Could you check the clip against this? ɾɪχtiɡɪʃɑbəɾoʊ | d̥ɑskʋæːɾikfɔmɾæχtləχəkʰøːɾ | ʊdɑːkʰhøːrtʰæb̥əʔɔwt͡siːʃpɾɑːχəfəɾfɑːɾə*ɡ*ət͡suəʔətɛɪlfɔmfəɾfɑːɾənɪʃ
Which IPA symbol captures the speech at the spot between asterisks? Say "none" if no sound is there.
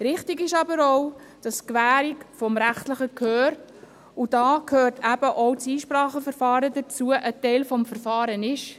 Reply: d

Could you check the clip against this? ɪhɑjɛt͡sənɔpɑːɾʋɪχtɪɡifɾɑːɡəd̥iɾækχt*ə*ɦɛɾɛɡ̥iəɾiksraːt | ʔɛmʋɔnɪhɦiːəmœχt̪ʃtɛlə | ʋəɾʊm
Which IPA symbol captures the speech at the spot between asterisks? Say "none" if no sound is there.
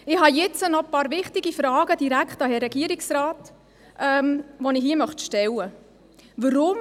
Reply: ɑ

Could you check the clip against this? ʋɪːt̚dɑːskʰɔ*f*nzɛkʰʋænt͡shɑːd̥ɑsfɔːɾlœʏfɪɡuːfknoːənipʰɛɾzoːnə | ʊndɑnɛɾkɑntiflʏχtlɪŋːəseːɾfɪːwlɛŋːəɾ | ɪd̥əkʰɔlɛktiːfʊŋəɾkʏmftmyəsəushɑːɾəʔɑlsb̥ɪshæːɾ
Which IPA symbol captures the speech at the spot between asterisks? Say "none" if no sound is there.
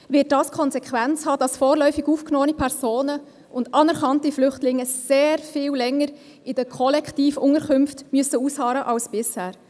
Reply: none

